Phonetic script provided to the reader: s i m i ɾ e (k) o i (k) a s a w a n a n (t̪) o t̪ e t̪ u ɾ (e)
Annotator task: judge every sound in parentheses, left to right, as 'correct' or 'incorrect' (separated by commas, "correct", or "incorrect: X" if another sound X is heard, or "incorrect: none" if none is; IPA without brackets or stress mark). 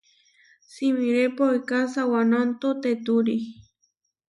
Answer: incorrect: p, correct, correct, incorrect: i